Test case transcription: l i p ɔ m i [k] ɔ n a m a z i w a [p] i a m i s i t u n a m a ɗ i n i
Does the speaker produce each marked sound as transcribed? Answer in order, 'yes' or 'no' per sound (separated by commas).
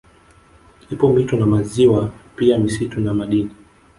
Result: no, yes